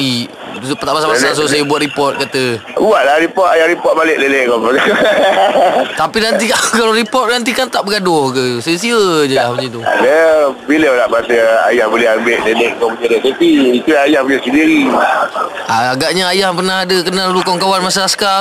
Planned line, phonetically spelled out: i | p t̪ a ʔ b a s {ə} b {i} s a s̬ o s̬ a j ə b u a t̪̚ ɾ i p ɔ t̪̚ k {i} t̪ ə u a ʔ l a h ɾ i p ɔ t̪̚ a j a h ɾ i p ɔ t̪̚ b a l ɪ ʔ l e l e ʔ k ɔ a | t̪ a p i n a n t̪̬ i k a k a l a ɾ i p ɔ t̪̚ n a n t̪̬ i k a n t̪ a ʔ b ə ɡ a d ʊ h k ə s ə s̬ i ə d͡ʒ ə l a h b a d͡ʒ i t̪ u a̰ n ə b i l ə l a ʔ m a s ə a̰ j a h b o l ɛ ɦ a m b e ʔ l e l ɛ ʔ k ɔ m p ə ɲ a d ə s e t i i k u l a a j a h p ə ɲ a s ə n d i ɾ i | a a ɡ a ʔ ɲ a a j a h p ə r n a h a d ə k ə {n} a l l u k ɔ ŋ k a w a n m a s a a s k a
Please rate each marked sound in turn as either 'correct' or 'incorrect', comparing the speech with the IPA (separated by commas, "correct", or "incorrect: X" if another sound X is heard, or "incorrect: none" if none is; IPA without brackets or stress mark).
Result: incorrect: a, incorrect: a, incorrect: a, correct